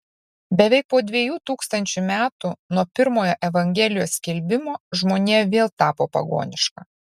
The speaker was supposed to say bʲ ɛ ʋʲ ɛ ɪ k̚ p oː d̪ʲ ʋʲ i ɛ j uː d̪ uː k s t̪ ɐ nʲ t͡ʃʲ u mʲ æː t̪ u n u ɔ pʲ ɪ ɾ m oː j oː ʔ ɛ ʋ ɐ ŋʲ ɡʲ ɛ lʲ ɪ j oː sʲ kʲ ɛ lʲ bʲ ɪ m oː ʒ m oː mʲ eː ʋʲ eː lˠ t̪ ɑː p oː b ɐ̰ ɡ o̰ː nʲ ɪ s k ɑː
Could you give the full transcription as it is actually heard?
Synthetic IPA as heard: bʲ ɛ ʋʲ ɛ ɪ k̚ p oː d̪ʲ ʋʲ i ɛ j uː t̪ uː k s t̪ ɐ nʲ t͡ʃʲ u mʲ æː t̪ u n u ɔ pʲ ɪ ɾ m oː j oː ʔ ɛ ʋ ɐ ŋʲ ɡʲ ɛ lʲ ɪ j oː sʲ kʲ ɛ lʲ bʲ ɪ m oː ʒ m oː nʲ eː ʋʲ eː lˠ t̪ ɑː p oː p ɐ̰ ɡ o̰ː nʲ ɪ ʃ k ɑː